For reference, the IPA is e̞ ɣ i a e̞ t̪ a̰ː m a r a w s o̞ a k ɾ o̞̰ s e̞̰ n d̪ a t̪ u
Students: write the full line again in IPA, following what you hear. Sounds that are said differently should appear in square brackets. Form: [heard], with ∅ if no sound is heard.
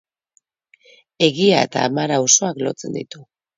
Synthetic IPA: e̞ ɣ i a e̞ t̪ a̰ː m a [ɾ] a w s o̞ a k [l] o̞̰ [t͡s] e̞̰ n d̪ [i] t̪ u